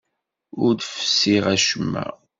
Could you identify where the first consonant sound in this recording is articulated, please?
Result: alveolar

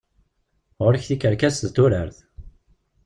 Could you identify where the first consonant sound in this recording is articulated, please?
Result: uvular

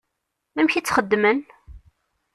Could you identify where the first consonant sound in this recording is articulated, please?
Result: labial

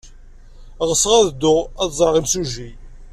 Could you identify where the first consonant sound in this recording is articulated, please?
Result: uvular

